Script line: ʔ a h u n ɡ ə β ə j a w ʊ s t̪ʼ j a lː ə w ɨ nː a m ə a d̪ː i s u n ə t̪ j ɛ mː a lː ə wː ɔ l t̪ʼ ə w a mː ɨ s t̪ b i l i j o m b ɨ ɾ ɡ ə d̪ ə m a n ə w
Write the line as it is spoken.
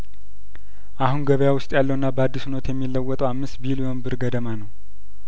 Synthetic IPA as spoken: ʔ a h u n ɡ ə β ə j a w ʊ s t̪ʼ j a lː ə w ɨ nː a b ə a d̪ː i s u n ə t̪ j ɛ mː i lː ə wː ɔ t̪ʼ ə w a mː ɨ s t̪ b i l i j o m b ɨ ɾ ɡ ə d̪ ə m a n ə w